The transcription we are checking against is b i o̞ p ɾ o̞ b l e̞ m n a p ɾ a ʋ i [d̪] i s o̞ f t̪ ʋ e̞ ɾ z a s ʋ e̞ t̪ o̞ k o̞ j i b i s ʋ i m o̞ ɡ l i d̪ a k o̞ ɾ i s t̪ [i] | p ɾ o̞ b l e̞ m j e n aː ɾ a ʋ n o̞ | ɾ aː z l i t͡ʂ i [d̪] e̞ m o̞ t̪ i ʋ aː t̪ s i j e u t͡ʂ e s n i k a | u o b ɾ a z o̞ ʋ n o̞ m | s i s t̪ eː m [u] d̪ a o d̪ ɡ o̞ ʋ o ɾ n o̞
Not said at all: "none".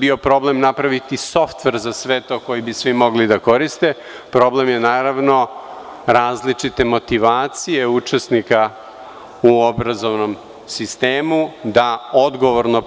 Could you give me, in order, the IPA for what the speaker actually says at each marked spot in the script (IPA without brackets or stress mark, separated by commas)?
t̪, e, t̪, u